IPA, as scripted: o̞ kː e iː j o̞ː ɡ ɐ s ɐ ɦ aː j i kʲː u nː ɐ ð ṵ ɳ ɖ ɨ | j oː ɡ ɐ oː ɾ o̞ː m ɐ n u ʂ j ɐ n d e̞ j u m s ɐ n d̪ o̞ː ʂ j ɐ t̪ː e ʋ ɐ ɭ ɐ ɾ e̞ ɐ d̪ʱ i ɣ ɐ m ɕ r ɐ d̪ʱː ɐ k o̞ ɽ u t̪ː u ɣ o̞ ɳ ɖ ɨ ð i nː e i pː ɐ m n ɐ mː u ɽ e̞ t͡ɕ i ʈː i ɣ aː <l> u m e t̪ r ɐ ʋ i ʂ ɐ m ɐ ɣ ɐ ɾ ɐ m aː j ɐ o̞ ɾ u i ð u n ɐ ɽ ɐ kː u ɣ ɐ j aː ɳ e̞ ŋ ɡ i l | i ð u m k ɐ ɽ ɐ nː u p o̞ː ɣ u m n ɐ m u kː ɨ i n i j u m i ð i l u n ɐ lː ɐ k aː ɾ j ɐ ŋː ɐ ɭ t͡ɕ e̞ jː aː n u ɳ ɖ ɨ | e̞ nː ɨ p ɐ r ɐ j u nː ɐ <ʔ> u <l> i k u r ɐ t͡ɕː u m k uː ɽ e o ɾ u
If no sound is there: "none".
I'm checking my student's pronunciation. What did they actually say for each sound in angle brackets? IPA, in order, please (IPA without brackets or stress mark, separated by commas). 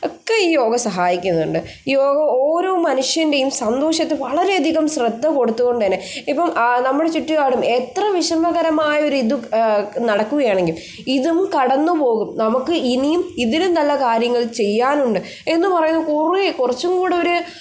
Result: ɽ, k, r